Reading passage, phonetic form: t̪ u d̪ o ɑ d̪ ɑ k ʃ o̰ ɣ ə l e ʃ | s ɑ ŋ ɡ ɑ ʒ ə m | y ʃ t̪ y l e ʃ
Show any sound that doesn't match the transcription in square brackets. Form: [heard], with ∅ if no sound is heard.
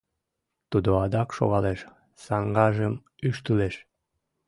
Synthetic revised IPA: t̪ u d̪ o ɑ d̪ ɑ k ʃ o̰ ɣ [ɑ] l e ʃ | s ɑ ŋ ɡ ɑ ʒ ə m | y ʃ t̪ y l e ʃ